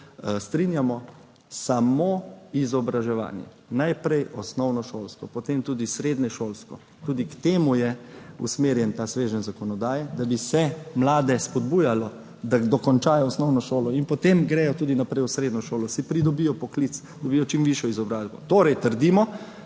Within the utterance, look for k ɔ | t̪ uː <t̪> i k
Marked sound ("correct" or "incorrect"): incorrect